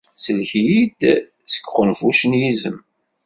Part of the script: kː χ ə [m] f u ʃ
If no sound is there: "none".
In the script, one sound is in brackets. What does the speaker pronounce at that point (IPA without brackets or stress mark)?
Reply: n